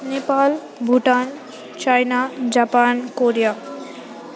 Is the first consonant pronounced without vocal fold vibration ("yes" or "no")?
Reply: no